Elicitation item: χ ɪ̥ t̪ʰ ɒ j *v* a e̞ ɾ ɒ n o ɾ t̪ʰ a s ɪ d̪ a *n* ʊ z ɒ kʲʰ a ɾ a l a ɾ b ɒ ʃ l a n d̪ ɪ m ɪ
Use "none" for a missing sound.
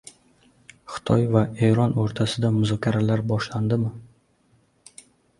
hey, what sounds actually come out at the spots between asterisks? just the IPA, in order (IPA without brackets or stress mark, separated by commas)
v, m